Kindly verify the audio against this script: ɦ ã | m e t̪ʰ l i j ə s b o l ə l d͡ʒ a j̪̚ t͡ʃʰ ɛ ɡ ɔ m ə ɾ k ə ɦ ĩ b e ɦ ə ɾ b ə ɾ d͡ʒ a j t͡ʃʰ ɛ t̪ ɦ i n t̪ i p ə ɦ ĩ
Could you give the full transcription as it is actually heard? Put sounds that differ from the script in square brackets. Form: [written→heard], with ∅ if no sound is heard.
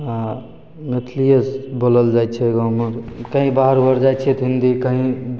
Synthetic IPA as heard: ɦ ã | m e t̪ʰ l i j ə s b o l ə l d͡ʒ a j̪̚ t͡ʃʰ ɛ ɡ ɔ m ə ɾ k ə ɦ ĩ b [e→a] ɦ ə ɾ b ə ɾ d͡ʒ a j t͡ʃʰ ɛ t̪ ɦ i n [t̪→d̪] i [p→k] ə ɦ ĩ